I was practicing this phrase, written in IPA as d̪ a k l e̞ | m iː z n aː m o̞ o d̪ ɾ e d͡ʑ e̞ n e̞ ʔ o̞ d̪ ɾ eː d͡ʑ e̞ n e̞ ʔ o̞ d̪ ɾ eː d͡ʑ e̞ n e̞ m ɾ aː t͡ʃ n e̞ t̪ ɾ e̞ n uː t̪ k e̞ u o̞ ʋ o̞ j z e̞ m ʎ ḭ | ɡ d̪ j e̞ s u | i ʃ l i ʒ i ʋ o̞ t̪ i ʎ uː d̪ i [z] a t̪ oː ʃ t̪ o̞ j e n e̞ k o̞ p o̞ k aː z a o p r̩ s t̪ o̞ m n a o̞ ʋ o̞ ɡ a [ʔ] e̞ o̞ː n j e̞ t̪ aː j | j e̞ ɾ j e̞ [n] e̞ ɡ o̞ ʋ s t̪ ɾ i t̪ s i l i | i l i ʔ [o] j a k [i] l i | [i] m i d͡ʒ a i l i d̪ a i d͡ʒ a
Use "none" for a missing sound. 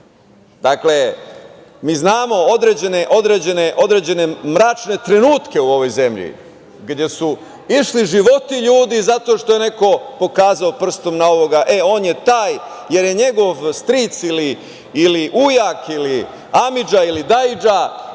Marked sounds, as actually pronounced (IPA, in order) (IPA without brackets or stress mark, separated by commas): z, ʔ, ɲ, u, i, a